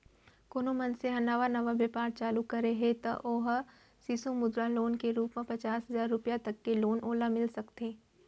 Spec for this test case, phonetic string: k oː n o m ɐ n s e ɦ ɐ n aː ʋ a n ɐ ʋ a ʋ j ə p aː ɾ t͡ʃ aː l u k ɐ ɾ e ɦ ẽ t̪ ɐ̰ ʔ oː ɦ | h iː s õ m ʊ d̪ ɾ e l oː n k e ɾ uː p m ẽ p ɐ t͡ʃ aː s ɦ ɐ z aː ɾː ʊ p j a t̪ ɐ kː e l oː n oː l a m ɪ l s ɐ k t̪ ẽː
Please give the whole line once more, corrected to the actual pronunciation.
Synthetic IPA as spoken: k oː n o m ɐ n s e ɦ ɐ n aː ʋ a n ɐ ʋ a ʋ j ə p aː ɾ t͡ʃ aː l u k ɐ ɾ e ɦ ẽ t̪ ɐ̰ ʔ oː ɦ | s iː s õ m ʊ d̪ ɾ a l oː n k e ɾ uː p m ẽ p ɐ t͡ʃ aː s ɦ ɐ z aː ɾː ʊ p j a t̪ ɐ kː e l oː n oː l a m ɪ l s ɐ k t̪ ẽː